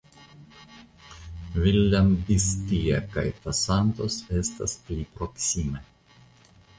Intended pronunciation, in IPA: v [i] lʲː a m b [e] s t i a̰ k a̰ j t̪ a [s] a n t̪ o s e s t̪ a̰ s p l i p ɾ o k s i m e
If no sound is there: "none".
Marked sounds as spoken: i, i, s

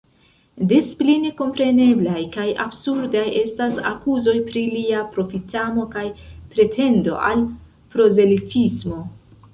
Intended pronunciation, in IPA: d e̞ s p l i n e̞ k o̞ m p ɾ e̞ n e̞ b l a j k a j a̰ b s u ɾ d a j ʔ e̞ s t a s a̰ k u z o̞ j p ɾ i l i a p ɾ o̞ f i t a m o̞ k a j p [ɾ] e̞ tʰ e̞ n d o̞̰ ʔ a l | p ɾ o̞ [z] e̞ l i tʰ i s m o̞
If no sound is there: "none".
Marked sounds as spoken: ɾ, z

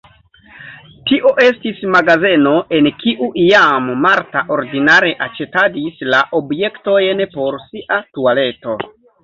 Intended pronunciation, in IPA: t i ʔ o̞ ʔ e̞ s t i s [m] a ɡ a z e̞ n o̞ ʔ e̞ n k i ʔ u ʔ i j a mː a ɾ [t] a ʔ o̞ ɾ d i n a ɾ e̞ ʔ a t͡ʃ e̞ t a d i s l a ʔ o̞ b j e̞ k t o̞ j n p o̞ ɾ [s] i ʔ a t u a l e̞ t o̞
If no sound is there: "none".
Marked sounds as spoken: m, t, s

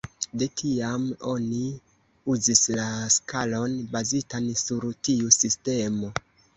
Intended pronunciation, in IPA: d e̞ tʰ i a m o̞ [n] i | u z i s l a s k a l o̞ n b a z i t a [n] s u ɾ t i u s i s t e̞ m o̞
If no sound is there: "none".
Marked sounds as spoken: n, n

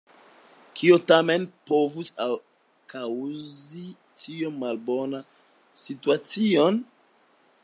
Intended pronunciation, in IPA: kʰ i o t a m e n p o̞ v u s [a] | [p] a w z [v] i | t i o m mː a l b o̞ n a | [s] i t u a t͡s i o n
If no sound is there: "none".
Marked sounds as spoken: a, k, z, s

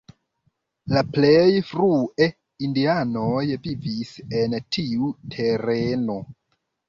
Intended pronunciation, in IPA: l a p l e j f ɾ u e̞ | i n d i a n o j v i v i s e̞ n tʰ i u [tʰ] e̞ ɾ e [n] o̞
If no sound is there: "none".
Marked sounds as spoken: tʰ, n

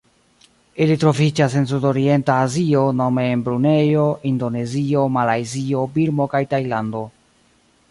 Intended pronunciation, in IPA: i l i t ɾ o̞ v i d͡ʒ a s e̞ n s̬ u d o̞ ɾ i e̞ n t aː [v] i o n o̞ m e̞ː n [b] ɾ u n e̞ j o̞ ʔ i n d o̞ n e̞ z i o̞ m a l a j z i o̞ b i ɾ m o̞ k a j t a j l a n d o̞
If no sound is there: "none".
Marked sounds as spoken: z, b

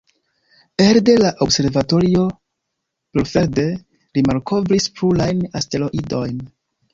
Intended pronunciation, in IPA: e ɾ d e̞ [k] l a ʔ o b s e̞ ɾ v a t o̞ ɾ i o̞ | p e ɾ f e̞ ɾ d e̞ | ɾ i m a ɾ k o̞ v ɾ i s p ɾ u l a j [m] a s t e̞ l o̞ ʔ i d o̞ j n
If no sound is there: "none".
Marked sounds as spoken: none, n

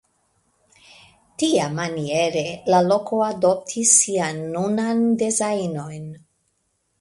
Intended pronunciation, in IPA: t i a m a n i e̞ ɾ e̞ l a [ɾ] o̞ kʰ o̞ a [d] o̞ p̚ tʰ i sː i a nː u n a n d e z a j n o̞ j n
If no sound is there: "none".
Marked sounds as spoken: l, d

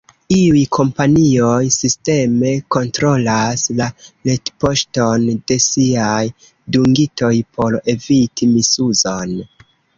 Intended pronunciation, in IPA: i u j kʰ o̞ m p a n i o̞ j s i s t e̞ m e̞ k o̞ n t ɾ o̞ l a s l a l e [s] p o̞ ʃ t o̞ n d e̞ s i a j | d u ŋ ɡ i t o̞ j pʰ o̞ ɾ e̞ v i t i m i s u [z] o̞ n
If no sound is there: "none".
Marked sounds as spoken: t, z

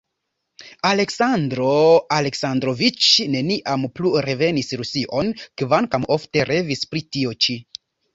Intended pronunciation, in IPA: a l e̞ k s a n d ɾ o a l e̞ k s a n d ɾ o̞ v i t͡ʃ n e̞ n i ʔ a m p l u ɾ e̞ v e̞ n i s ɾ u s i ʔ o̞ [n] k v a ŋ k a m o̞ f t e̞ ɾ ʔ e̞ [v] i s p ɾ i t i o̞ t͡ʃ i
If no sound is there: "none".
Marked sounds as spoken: n, v

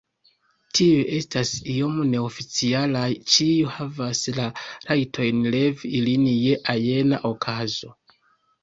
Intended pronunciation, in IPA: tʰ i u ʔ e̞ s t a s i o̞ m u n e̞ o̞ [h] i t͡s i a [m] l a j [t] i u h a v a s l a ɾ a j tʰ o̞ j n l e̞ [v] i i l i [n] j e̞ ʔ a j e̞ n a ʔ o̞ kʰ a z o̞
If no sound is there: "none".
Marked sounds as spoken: f, none, t͡ʃ, v, n

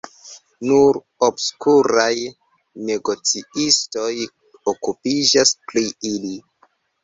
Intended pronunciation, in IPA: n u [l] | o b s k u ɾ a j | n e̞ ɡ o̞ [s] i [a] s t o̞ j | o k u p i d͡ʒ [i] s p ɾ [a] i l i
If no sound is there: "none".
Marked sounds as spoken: ɾ, t͡s, i, a, i

